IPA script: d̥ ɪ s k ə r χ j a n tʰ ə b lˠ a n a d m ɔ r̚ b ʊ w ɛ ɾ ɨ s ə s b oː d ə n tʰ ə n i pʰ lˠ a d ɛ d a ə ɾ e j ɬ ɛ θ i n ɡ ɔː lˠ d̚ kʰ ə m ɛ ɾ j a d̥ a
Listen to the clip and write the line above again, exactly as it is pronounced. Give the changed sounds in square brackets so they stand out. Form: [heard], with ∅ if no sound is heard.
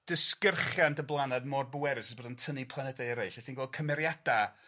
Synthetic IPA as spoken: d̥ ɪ s k ə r χ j a n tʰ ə b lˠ a n a d m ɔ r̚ b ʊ w ɛ ɾ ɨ s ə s b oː d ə n tʰ ə n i pʰ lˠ a [n] ɛ d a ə ɾ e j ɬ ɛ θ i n ɡ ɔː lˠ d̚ kʰ ə m ɛ ɾ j a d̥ a